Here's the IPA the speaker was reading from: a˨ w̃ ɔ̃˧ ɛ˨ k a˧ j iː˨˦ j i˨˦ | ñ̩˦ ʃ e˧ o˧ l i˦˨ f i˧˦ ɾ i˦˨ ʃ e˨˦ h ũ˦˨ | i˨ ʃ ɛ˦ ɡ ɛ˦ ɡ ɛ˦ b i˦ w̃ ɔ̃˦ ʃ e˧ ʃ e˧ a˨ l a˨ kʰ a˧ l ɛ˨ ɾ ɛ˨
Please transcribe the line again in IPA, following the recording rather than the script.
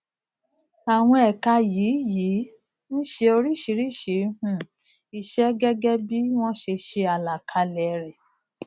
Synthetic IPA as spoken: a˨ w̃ ɔ̃˧ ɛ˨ k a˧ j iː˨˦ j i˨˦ | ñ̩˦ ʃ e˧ o˧ ɾ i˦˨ ʃ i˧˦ ɾ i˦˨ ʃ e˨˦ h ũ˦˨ | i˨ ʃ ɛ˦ ɡ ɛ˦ ɡ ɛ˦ b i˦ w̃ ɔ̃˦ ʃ e˧ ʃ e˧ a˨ l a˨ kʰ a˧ l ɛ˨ ɾ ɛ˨